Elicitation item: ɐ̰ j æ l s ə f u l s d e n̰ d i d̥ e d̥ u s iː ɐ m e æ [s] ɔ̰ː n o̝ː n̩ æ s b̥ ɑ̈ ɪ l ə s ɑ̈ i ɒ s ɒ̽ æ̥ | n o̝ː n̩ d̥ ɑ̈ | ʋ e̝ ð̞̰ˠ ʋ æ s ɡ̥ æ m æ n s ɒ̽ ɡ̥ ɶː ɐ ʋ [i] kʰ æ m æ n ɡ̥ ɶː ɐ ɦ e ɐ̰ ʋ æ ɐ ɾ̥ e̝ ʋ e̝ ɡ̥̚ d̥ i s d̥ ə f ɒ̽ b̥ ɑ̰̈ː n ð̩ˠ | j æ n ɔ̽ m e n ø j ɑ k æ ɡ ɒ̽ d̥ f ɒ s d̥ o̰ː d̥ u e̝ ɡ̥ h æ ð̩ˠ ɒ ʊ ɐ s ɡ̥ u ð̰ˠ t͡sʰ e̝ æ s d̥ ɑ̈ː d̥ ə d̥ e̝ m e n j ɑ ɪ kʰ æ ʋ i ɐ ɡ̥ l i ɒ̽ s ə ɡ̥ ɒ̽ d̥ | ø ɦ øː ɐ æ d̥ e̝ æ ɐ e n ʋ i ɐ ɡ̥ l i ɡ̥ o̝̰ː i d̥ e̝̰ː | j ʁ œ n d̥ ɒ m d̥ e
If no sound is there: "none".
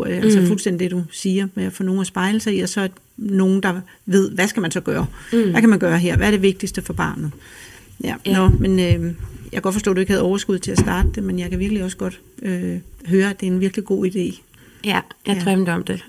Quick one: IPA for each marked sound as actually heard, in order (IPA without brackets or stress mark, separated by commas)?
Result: f, æ